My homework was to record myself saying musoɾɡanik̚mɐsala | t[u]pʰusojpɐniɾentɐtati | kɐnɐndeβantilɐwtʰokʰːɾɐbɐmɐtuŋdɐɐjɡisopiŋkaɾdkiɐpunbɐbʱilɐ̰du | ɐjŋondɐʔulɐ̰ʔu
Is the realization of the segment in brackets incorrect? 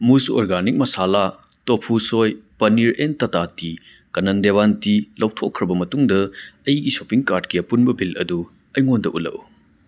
yes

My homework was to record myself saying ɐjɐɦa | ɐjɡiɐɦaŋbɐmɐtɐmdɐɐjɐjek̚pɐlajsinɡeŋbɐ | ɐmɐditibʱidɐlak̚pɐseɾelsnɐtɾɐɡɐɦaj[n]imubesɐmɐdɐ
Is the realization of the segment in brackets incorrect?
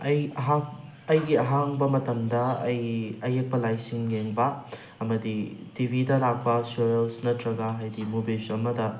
yes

